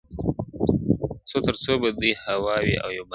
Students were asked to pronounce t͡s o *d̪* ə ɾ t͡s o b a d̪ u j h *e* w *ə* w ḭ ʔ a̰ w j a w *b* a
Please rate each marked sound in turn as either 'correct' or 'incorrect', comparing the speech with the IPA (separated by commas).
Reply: incorrect, incorrect, incorrect, correct